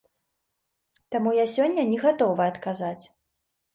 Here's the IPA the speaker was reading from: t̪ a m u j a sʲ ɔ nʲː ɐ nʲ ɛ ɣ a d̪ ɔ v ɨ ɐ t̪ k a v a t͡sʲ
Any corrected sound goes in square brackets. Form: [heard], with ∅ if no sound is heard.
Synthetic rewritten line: t̪ a m u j a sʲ ɔ nʲː ɐ nʲ ɛ ɣ a [t̪] ɔ v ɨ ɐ t̪ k a [z] a t͡sʲ